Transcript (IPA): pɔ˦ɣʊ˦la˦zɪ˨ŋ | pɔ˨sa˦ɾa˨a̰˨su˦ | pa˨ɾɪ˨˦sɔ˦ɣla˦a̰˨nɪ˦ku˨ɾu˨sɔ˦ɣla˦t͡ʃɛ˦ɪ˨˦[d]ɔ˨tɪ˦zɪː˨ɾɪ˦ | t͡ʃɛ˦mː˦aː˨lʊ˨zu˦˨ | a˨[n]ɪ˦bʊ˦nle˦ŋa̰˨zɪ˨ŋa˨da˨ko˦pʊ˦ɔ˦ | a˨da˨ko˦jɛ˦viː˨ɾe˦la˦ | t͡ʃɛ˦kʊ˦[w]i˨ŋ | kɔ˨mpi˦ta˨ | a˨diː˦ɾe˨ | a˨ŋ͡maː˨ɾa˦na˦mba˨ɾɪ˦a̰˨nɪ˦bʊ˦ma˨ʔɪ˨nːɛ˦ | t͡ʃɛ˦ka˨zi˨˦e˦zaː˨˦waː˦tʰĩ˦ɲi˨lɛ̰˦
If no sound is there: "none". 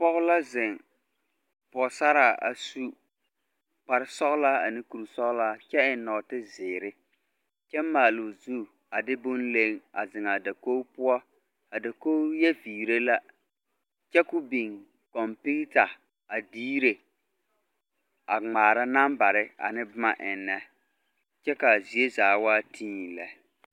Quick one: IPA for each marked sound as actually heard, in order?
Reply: n, d, b

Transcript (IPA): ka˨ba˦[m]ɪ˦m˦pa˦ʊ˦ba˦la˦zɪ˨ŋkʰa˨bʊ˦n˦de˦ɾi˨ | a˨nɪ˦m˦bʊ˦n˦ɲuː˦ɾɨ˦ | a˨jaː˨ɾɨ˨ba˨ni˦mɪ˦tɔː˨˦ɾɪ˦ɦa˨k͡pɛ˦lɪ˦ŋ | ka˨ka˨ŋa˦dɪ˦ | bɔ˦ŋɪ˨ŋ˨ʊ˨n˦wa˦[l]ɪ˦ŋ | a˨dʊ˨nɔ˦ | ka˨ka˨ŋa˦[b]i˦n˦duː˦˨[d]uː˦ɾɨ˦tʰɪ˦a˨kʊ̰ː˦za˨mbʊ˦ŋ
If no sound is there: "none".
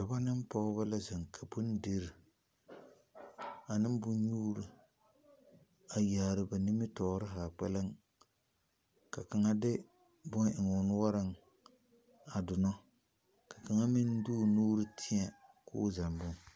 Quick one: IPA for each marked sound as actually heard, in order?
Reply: n, ɾ, m, n

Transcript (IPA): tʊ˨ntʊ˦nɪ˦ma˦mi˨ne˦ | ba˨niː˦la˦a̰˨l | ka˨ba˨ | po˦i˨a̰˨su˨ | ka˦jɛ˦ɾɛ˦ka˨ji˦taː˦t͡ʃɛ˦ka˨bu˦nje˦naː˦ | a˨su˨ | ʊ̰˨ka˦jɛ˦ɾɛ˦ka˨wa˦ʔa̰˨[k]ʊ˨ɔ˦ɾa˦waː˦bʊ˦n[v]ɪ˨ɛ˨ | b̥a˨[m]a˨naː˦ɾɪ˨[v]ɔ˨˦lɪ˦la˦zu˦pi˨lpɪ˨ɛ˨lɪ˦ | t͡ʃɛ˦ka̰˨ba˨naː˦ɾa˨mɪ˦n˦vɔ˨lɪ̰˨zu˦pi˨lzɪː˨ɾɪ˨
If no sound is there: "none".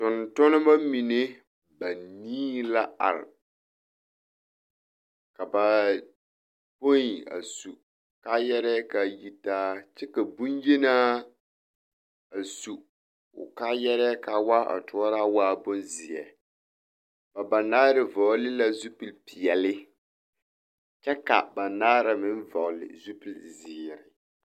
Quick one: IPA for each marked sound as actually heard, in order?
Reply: t, z, b, v

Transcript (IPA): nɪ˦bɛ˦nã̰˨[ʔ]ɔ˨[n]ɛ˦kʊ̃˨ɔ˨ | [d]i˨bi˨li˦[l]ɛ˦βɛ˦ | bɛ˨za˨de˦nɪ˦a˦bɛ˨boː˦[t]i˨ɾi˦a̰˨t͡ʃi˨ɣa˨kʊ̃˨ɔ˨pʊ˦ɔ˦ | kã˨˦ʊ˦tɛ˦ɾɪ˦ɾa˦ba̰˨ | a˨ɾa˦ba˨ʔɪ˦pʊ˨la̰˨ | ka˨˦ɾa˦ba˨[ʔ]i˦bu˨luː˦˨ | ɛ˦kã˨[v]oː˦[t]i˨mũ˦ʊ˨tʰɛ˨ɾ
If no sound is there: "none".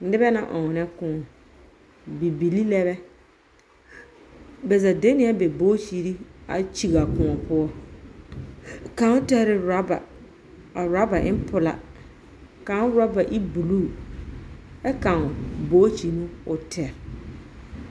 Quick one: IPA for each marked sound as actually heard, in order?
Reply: ʔ, n, b, l, t͡ʃ, ʔ, b, t͡ʃ

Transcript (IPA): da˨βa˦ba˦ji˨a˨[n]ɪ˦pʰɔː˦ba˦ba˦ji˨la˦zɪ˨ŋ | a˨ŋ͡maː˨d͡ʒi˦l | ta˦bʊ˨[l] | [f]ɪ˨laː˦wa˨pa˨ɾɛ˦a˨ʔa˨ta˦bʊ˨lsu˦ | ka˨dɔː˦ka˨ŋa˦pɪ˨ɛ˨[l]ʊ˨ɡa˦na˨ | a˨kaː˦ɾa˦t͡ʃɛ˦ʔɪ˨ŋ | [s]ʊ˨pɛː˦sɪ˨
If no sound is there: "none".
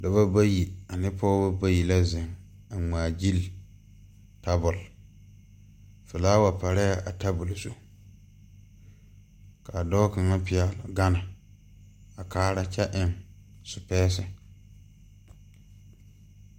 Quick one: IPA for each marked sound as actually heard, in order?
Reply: n, l, f, l, s

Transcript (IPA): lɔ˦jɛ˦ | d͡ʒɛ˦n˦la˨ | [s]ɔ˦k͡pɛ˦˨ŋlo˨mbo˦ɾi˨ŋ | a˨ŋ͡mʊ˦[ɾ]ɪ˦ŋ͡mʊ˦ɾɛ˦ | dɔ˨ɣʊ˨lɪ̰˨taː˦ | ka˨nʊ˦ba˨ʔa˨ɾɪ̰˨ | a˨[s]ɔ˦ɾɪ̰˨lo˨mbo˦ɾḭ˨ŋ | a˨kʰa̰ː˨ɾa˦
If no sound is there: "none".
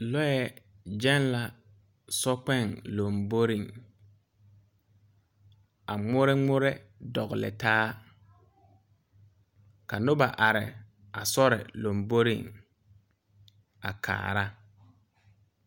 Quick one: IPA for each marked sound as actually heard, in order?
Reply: s, ɾ, s

